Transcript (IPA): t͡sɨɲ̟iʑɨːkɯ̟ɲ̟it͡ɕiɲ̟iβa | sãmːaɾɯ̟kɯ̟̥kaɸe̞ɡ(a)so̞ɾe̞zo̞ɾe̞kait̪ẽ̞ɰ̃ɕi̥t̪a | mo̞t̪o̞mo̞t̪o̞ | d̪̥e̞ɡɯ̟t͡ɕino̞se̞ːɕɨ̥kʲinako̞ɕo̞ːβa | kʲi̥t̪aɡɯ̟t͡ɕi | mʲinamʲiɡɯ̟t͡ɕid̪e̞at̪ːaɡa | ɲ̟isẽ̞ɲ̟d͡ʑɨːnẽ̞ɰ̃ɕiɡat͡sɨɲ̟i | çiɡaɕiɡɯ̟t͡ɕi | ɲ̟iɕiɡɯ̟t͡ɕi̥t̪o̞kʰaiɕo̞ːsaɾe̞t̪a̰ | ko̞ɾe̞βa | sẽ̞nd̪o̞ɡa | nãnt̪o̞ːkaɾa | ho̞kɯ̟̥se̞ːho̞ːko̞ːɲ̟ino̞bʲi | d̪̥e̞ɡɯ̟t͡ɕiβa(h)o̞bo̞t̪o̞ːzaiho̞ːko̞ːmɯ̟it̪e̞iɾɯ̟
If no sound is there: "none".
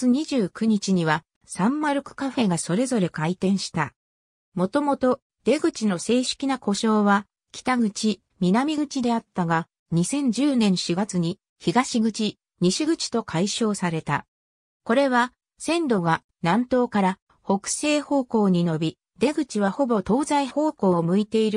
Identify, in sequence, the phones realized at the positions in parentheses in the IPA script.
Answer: a, h

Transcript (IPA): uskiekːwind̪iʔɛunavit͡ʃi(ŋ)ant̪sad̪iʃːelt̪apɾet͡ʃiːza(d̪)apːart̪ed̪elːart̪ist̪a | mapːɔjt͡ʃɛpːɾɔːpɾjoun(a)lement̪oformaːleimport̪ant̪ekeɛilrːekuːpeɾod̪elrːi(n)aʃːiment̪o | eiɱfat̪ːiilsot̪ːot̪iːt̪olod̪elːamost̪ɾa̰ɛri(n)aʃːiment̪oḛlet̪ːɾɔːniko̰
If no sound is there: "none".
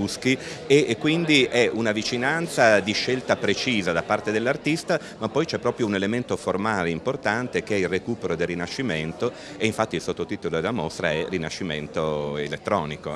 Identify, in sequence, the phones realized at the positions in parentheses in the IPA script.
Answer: n, d̪, e, n, n

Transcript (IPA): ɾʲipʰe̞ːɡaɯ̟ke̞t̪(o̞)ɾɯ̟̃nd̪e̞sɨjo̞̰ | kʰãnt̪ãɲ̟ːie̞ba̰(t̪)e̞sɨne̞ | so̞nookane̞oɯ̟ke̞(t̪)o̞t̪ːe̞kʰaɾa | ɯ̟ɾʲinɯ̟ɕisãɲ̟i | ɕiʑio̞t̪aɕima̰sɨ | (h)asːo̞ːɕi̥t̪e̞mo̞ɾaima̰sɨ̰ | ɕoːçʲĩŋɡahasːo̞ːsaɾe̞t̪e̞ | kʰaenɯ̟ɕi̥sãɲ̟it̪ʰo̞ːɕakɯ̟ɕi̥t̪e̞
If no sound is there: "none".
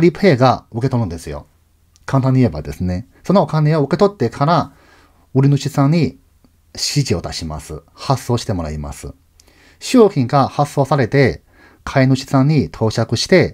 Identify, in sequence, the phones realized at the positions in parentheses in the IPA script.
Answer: o̞, d̪, t̪, h

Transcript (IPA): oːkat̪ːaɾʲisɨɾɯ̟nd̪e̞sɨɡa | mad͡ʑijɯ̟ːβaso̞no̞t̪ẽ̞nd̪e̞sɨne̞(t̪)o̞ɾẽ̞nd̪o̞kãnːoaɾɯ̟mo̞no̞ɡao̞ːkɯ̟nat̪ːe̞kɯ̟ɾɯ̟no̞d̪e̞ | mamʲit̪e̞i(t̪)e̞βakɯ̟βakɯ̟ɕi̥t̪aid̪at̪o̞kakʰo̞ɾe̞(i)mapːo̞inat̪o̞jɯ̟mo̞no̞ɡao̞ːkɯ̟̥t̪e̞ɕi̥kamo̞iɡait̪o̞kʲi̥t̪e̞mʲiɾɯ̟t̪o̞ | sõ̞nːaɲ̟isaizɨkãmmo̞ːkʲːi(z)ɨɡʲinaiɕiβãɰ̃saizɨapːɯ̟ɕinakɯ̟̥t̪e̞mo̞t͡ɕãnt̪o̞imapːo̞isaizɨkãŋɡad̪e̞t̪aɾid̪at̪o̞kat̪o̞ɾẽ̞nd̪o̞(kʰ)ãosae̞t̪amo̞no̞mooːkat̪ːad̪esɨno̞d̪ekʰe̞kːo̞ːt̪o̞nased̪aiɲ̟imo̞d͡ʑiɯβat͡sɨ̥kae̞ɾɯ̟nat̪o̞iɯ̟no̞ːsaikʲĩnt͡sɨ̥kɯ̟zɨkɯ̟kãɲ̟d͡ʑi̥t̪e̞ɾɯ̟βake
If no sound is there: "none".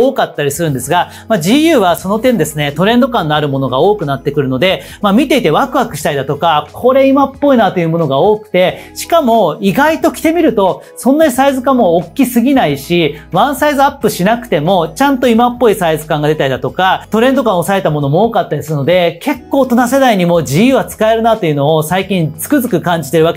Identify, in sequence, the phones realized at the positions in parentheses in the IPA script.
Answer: t̪, t̪, i, s, k

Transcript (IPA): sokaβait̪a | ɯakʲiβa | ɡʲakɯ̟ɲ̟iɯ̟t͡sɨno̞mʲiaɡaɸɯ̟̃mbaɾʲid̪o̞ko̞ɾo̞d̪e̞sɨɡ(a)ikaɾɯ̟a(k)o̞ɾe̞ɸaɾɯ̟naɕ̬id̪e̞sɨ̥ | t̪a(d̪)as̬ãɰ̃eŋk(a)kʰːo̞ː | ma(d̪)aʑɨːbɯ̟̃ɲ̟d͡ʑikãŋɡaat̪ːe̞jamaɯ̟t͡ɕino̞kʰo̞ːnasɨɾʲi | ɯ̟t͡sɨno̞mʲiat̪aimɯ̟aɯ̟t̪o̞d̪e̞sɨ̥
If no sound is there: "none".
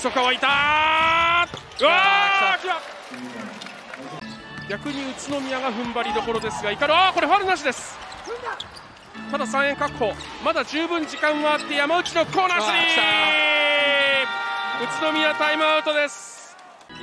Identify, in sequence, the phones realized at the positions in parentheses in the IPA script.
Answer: a, k, d̪, a, d̪

